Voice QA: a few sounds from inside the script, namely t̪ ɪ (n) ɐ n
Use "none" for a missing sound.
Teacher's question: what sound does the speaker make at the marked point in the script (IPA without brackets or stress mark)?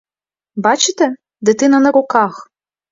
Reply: n